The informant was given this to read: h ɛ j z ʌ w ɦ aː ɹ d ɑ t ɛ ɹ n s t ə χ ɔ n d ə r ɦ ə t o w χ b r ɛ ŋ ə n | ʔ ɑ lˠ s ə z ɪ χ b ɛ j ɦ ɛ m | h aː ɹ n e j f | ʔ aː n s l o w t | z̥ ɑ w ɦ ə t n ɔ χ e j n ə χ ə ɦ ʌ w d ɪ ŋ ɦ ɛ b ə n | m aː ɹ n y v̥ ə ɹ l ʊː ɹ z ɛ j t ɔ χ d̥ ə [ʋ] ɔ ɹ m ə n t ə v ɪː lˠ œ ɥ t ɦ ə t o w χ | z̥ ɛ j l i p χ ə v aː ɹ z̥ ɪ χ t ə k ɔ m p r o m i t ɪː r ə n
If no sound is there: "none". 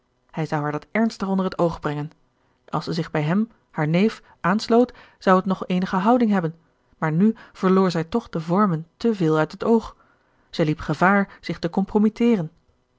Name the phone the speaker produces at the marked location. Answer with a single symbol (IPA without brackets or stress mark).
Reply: v